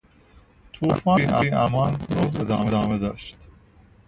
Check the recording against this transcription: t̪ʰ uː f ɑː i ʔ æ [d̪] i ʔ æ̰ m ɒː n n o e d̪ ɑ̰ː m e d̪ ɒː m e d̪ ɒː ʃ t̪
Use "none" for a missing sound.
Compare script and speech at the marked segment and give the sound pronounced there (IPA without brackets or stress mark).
none